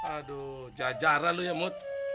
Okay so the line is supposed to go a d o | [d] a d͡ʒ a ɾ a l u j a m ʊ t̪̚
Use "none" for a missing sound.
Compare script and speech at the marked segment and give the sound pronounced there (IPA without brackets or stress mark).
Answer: d͡ʒ